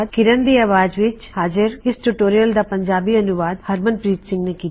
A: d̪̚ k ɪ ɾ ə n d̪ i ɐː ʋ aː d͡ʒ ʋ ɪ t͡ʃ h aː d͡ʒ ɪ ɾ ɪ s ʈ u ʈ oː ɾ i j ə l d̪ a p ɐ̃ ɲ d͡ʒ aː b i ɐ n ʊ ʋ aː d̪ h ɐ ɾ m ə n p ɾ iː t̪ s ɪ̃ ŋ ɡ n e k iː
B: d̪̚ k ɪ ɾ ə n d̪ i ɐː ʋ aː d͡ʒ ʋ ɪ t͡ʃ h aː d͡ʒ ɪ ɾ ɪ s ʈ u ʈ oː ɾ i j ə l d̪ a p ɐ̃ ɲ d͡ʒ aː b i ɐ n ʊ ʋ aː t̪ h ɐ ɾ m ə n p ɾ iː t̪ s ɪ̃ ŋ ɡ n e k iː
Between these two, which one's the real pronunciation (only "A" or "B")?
A